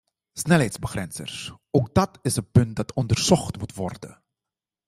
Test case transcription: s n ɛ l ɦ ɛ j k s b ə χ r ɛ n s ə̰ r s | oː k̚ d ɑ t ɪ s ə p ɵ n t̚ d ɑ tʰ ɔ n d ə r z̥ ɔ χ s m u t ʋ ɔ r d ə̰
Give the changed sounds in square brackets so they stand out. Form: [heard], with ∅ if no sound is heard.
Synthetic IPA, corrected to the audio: s n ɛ l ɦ ɛ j [t] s b ə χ r ɛ n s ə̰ r s | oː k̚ d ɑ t ɪ s ə p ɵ n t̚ d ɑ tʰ ɔ n d ə r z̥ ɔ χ [t] m u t ʋ ɔ r d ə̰

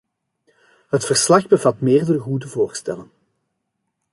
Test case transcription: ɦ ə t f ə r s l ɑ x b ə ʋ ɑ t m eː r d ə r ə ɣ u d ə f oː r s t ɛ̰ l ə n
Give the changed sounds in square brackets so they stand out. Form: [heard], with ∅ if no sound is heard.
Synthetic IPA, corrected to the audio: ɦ ə t f ə r s l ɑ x b ə [v] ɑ t m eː r d ə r ə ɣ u d ə [v] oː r s t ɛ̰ l ə n

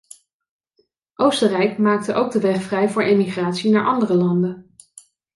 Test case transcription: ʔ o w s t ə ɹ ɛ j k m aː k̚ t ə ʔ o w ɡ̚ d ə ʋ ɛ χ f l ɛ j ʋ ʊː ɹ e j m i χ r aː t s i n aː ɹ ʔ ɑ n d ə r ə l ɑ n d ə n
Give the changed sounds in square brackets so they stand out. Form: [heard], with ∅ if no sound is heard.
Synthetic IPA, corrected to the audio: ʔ o w s t ə [r] ɛ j k m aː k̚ t ə ʔ o w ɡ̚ d ə ʋ ɛ χ f [r] ɛ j [v] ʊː ɹ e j m i χ r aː t s i n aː ɹ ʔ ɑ n d ə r ə l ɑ n d ə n

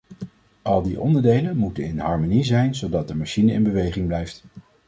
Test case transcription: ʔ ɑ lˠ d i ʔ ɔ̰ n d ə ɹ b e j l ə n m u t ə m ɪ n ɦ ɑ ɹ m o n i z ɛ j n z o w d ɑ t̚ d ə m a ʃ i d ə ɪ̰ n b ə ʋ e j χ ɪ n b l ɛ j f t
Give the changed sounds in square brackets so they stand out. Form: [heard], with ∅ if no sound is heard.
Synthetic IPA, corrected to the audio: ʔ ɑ lˠ d i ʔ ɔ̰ n d ə ɹ [d] e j l ə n m u t ə [n] ɪ n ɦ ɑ ɹ m o n i z ɛ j n z o w d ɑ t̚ d ə m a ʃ i [n] ə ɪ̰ n b ə ʋ e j χ ɪ [ŋ] b l ɛ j f t

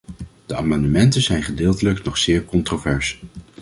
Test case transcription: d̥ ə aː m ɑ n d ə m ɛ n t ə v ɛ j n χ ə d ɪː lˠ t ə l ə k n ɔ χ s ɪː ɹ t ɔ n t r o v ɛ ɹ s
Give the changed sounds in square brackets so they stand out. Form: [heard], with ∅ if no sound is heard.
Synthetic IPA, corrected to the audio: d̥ ə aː m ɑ n d ə m ɛ n t ə [z] ɛ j n χ ə d ɪː lˠ t ə l ə k n ɔ χ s ɪː ɹ [k] ɔ n t r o v ɛ ɹ s

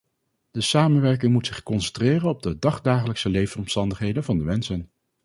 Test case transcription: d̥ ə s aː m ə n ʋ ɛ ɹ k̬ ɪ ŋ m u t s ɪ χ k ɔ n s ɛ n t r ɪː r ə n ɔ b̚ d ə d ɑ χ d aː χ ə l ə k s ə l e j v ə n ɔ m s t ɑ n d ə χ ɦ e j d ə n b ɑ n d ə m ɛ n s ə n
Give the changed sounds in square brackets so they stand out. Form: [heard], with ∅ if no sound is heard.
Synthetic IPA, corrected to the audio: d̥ ə s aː m ə n ʋ ɛ ɹ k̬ ɪ ŋ m u t s ɪ χ k ɔ n s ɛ n t r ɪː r ə n ɔ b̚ d ə d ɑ χ d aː χ ə l ə k s ə l e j v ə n ɔ m s t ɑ n d ə χ ɦ e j d ə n [v] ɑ n d ə m ɛ n s ə n

